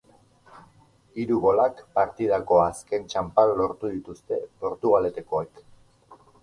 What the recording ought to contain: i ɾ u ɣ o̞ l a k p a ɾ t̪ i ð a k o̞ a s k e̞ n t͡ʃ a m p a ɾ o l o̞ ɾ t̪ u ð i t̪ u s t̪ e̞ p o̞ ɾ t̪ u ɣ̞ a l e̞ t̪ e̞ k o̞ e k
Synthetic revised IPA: i ɾ u ɣ o̞ l a k p a ɾ t̪ i ð a k o̞ a s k e̞ n t͡ʃ a m p a ɾ o l o̞ ɾ t̪ u ð i t̪ u s t̪ e̞ p o̞ ɾ t̪ u ɣ̞ a l e̞ t̪ e̞ k o̞ e k